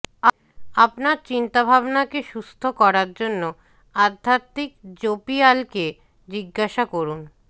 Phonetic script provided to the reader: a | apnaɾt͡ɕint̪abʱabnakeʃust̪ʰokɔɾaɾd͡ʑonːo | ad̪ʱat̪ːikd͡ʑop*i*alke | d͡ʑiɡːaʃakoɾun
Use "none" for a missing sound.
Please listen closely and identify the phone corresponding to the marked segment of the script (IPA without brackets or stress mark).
i